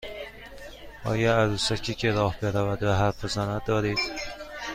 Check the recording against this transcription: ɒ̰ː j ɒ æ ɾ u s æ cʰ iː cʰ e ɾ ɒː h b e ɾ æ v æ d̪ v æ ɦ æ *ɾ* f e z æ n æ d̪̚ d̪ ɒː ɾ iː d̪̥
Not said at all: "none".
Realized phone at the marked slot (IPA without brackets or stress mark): ɾ